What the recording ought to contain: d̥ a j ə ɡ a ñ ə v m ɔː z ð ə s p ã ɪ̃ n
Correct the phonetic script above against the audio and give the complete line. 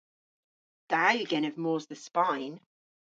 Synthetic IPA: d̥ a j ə ɡ ɛ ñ ə v m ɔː z ð ə s p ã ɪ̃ n